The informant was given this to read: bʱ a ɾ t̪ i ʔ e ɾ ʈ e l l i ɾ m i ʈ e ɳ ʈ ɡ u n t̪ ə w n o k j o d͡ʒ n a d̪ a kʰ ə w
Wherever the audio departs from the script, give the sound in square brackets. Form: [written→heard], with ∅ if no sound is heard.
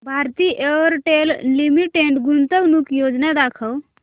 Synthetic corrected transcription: bʱ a ɾ t̪ i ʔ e ɾ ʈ e l l i [ɾ→∅] m i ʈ e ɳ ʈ ɡ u n t̪ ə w n [o→u] k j o d͡ʒ n a d̪ a kʰ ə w